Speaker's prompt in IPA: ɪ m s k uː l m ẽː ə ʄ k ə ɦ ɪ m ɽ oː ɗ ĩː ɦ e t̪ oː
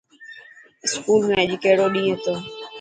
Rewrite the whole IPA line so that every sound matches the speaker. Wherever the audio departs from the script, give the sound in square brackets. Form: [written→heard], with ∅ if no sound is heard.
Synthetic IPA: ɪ [m→∅] s k uː l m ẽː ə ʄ k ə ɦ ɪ [m→∅] ɽ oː ɗ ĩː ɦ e t̪ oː